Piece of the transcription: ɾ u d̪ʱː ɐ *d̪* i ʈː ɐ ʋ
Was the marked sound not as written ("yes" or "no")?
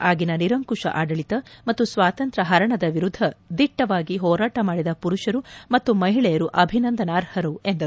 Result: no